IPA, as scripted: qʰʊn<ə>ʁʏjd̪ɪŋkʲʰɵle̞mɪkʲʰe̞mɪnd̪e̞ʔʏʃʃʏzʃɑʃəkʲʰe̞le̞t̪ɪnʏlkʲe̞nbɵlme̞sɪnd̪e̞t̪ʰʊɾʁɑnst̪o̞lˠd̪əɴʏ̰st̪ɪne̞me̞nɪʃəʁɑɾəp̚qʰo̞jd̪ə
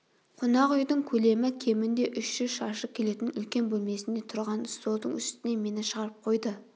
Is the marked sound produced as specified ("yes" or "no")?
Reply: no